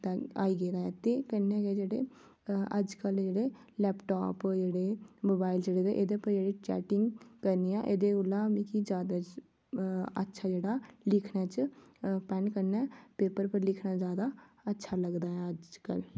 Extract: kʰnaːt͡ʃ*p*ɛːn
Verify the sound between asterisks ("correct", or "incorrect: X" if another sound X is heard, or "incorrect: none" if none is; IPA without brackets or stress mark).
correct